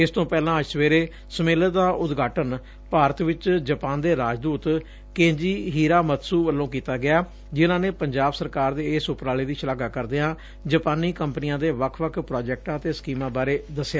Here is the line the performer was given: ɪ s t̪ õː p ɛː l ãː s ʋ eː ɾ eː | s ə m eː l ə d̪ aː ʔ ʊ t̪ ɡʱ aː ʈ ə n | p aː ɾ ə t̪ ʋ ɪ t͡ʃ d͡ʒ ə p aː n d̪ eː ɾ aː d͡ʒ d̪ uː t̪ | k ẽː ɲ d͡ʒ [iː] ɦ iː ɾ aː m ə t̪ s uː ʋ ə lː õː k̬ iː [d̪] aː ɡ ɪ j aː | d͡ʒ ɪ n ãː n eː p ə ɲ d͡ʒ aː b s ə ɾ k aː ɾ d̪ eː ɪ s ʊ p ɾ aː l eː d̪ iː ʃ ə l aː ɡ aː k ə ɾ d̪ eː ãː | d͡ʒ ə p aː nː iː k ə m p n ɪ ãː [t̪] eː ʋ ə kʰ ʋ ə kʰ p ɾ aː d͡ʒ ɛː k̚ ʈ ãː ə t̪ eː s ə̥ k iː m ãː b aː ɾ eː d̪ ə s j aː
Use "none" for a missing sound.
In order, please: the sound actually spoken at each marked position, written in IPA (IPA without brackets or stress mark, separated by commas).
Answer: iː, t̪, d̪